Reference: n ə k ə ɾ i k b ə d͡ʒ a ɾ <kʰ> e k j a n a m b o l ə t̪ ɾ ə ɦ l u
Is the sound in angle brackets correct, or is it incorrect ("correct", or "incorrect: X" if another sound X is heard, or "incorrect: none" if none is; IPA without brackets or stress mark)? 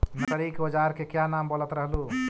incorrect: k